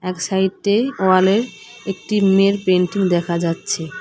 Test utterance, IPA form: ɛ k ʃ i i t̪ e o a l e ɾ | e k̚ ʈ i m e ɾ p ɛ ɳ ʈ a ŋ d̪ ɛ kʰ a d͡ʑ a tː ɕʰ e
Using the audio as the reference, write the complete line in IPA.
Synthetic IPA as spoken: ɛ k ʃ a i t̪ e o a l e ɾ | e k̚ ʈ i m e ɾ p e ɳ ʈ i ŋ d̪ ɛ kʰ a d͡ʑ a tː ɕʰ e